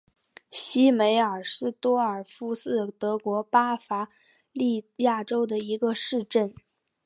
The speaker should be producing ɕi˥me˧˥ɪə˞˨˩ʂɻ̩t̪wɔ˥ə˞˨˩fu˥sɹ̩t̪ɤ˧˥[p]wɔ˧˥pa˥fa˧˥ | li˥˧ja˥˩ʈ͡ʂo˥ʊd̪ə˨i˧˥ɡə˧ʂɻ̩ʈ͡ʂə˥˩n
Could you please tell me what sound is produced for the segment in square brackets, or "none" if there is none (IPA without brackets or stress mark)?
k